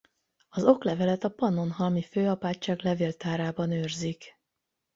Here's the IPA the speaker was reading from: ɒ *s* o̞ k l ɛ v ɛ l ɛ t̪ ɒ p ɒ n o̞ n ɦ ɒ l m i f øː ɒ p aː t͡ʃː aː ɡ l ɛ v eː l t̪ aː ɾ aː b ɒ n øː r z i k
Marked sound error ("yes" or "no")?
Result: yes